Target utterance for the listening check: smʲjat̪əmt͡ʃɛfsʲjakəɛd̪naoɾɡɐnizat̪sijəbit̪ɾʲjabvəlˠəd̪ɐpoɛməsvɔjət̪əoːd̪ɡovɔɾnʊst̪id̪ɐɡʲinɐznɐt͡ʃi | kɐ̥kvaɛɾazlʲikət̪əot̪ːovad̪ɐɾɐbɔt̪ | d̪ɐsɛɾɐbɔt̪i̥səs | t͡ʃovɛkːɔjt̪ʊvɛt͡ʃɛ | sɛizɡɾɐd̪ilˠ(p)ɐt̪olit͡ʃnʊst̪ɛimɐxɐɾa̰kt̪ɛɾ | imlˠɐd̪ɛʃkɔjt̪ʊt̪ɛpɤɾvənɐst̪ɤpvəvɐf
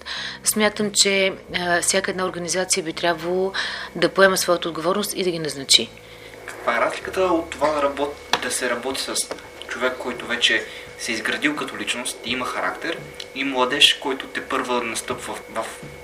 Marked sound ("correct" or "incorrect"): incorrect